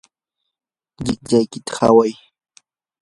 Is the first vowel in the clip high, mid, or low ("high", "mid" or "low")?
high